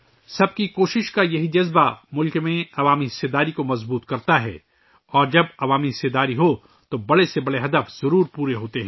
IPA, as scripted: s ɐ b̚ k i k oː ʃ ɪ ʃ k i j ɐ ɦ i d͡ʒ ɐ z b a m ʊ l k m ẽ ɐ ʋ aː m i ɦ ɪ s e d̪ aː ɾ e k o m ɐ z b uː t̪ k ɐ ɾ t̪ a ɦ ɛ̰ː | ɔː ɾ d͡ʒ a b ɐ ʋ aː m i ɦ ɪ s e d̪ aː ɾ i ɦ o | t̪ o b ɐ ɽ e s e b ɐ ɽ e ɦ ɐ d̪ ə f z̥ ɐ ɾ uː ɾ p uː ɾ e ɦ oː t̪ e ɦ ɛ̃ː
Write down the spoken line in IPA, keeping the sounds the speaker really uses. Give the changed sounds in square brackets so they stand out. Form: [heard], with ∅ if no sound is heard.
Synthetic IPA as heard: s ɐ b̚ k i k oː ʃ ɪ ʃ k [a] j ɐ ɦ i d͡ʒ ɐ z b a m ʊ l k m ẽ ɐ ʋ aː m i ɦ ɪ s e d̪ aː ɾ [i] k o m ɐ z b uː t̪ k ɐ ɾ t̪ a ɦ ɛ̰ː | ɔː ɾ d͡ʒ [ɐ] b ɐ ʋ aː m i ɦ ɪ s e d̪ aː ɾ i ɦ o | t̪ o b ɐ ɽ e s e b ɐ ɽ e ɦ ɐ d̪ ə f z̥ ɐ ɾ uː ɾ p uː ɾ e ɦ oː t̪ e ɦ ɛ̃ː